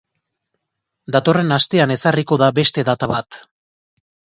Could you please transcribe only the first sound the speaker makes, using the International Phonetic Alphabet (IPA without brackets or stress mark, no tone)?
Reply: d̪